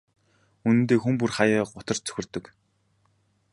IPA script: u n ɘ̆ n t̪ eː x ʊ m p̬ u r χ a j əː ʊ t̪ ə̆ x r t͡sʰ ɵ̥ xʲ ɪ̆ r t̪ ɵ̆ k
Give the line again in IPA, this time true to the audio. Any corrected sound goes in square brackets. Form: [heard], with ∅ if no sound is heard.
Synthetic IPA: u n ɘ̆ n t̪ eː x [u] m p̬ u r χ a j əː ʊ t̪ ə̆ [∅] r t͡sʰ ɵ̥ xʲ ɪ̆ r t̪ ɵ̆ k